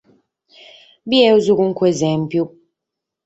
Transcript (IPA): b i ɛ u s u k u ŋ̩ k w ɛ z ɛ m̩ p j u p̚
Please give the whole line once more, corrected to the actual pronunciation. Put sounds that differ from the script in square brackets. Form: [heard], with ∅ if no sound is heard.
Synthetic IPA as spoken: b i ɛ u [z] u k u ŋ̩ k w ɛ z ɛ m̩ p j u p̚